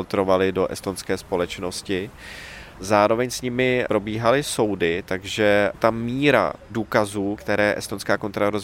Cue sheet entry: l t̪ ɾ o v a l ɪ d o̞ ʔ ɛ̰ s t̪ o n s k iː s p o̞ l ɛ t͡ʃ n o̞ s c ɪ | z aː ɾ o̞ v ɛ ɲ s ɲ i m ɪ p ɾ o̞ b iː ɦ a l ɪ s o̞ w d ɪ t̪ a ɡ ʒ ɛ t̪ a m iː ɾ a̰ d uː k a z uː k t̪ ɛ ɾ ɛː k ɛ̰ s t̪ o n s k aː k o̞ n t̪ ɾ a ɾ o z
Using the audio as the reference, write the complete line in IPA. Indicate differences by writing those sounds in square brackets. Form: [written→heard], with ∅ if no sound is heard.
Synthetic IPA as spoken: l t̪ ɾ o v a l ɪ d o̞ ʔ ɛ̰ s t̪ o n s k [iː→ɛː] s p o̞ l ɛ t͡ʃ n o̞ s c ɪ | z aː ɾ o̞ v ɛ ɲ s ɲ [i→ɪ] m ɪ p ɾ o̞ b iː ɦ a l ɪ s o̞ w d ɪ t̪ a ɡ ʒ ɛ t̪ a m iː ɾ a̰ d uː k a z uː k t̪ ɛ ɾ ɛː [k→ʔ] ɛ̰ s t̪ o n s k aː k o̞ n t̪ ɾ a ɾ o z